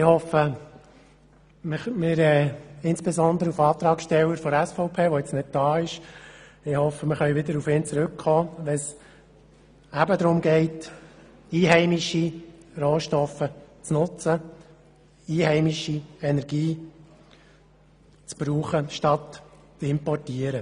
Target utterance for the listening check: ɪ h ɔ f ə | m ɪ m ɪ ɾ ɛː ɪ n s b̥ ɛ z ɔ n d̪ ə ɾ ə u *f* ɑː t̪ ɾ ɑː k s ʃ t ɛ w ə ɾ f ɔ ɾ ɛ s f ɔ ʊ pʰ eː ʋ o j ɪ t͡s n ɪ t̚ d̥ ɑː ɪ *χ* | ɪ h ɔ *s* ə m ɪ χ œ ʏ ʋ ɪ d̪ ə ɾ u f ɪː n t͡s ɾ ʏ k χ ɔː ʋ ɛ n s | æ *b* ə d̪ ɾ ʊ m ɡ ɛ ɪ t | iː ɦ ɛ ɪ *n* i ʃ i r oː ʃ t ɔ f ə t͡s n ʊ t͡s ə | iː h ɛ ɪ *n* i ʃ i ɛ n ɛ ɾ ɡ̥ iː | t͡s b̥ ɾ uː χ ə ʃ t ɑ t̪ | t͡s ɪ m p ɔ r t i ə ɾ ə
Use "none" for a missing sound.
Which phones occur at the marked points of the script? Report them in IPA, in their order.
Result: f, ʃ, f, b, m, m

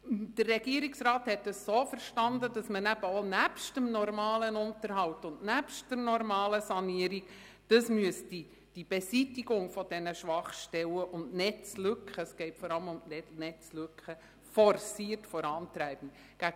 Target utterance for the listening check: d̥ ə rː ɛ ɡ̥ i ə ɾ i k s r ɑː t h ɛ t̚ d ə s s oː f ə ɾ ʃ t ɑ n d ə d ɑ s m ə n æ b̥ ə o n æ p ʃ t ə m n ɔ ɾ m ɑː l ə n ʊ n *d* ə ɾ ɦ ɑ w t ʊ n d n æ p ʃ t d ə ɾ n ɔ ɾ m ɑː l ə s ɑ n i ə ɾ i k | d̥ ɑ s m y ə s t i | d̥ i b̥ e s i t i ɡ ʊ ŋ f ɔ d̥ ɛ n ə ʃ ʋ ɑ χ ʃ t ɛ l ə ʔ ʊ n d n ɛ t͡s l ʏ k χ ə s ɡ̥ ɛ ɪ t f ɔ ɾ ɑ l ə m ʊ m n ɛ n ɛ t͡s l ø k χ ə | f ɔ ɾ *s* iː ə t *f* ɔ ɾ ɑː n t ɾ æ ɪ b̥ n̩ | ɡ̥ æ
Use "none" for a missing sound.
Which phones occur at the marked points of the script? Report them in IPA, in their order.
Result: t, s, f

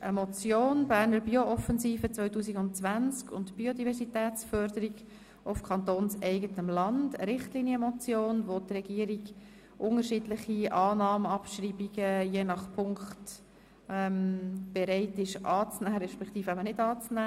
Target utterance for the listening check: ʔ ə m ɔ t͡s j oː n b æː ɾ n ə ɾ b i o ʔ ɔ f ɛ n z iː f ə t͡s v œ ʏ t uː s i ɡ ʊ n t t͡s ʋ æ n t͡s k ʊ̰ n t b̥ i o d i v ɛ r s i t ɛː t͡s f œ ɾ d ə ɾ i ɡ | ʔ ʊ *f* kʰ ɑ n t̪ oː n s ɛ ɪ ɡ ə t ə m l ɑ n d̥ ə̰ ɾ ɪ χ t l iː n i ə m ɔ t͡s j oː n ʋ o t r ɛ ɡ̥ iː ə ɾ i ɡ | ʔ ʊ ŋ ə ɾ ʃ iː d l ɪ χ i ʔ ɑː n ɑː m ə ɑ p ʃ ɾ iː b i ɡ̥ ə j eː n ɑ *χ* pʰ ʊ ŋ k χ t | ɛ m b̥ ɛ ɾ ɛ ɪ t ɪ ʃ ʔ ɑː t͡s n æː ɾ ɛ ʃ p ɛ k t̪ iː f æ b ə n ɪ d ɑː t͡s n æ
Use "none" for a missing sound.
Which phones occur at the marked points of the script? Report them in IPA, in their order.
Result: f, χ

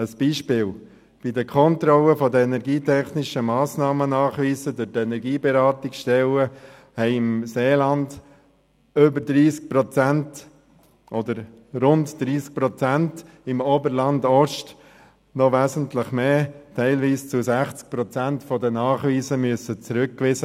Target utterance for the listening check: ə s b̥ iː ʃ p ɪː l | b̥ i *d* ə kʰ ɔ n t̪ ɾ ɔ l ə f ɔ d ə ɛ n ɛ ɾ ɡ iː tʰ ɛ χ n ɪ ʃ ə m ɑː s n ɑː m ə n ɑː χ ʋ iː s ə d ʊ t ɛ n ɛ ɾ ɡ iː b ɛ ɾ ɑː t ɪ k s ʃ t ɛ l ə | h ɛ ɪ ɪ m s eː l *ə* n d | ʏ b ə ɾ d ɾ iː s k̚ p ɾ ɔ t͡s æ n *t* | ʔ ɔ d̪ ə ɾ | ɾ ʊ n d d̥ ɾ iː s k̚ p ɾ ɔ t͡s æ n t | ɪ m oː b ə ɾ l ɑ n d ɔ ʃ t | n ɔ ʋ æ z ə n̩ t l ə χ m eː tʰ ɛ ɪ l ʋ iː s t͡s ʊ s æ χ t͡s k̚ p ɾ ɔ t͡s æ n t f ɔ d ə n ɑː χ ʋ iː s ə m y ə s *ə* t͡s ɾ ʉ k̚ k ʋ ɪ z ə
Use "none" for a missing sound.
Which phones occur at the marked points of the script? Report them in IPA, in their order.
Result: d, ɑ, t, ə

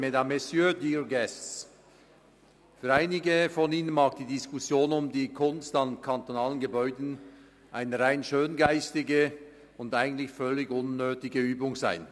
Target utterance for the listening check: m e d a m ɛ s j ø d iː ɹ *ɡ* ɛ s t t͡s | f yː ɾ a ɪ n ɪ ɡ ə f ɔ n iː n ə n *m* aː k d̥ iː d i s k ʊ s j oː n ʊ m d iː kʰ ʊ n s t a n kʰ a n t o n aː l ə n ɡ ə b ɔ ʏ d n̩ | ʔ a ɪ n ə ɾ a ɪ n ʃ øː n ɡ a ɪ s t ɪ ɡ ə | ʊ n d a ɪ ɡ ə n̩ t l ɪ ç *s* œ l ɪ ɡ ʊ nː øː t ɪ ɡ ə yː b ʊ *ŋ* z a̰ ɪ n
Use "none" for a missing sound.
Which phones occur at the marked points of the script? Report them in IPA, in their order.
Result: ɡ, m, f, ŋ

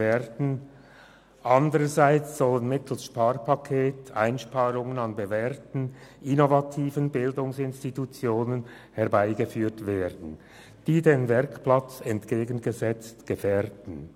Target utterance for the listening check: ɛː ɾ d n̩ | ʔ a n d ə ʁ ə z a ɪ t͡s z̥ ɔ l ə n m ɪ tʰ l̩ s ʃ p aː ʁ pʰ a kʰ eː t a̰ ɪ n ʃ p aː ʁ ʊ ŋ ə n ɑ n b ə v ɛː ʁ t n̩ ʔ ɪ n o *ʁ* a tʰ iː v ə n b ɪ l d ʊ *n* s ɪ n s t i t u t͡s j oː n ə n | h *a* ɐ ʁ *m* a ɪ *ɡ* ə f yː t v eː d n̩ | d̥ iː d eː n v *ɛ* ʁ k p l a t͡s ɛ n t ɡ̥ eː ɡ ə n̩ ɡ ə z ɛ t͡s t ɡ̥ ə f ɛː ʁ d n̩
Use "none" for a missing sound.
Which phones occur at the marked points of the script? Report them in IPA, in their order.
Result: v, ŋ, ɛ, b, ɡ, ɛ

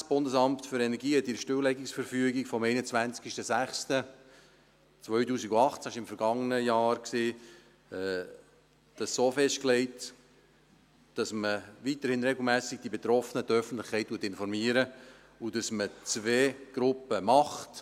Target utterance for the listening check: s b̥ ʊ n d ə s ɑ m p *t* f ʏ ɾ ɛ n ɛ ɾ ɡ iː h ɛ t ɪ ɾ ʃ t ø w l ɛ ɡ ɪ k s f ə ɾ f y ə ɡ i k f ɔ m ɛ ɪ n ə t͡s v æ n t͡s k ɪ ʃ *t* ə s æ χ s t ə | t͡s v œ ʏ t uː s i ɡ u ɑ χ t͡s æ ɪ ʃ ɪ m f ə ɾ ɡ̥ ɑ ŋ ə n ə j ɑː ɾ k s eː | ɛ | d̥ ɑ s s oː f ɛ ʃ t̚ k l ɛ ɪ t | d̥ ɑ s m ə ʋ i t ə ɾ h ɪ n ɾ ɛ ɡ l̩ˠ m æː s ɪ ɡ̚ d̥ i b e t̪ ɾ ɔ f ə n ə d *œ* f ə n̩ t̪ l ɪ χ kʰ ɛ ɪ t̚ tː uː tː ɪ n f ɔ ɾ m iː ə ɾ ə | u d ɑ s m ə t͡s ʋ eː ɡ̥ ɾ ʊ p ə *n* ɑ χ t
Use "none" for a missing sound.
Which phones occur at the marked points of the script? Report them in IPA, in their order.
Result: t, t, œ, m

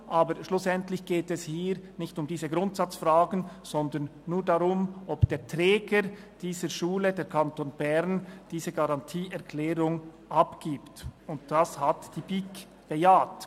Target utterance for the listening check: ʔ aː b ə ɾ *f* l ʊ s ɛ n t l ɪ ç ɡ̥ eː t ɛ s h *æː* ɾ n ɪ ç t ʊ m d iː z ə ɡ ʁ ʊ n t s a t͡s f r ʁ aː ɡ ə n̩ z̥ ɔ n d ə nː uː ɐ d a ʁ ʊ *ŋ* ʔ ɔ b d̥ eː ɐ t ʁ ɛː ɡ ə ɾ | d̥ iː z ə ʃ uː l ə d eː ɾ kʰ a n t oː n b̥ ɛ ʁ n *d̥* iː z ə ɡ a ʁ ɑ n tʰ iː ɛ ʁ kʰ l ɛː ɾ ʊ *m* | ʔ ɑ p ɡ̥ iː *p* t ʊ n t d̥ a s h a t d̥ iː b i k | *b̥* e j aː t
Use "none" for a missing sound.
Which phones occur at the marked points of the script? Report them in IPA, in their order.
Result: ʃ, iː, m, d̥, ŋ, p, b̥

